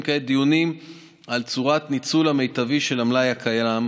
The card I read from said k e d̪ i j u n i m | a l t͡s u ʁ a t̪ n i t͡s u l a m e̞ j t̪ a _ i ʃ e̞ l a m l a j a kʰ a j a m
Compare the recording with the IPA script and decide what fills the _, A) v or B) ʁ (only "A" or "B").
A